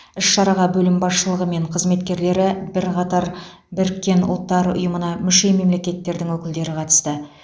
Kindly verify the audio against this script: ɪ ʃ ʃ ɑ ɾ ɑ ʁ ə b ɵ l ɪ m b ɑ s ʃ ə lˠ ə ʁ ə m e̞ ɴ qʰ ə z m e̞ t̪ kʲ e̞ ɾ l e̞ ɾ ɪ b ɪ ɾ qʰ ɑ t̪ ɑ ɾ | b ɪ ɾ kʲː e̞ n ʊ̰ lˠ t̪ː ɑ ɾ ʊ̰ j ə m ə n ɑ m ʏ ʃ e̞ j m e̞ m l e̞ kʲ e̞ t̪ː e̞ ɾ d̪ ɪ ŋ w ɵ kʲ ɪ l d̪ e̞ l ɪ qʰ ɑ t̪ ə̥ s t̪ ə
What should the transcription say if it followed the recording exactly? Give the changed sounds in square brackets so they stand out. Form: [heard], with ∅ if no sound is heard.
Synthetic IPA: ɪ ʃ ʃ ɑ ɾ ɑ ʁ [ɑ] b ɵ l ɪ m b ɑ s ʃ ə lˠ ə ʁ ə m e̞ ɴ qʰ ə z m e̞ t̪ kʲ e̞ ɾ l e̞ ɾ ɪ b ɪ ɾ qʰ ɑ t̪ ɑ ɾ | b ɪ ɾ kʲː e̞ n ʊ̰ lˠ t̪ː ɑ ɾ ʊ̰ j ə m ə n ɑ m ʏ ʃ e̞ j m e̞ m l e̞ kʲ e̞ t̪ː e̞ ɾ d̪ ɪ ŋ w ɵ kʲ ɪ l d̪ e̞ [ɾ] ɪ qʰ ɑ t̪ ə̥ s t̪ ə